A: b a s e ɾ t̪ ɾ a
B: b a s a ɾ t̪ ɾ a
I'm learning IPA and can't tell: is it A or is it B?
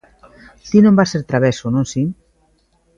A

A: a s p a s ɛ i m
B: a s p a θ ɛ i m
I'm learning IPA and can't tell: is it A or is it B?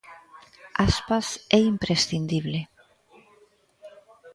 A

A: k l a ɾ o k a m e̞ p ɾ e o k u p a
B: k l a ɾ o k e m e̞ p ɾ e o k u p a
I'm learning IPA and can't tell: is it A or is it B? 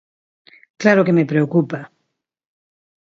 B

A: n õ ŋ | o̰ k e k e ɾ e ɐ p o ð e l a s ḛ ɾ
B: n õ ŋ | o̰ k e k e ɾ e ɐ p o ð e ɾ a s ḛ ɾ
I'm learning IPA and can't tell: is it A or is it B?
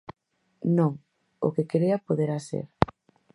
B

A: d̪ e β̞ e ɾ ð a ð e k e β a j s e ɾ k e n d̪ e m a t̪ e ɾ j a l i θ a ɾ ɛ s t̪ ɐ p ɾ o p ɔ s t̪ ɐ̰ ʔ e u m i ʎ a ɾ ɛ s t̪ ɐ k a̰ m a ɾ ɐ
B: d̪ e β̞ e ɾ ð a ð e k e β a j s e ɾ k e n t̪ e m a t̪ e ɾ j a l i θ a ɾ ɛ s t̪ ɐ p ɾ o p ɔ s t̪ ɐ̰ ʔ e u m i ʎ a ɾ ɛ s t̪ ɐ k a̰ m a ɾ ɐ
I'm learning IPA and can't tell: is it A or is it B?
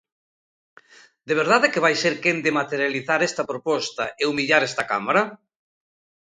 A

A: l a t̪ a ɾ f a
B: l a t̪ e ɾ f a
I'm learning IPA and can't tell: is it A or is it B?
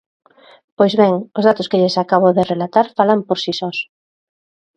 A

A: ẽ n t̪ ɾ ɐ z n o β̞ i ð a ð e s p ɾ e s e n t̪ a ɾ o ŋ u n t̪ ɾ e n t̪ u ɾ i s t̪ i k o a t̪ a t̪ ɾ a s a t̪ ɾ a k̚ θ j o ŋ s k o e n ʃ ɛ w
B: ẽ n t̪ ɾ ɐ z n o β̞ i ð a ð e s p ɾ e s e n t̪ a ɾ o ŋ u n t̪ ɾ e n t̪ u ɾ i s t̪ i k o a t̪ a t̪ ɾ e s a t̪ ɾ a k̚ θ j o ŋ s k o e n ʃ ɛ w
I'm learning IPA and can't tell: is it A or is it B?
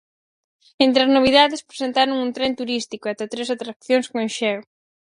B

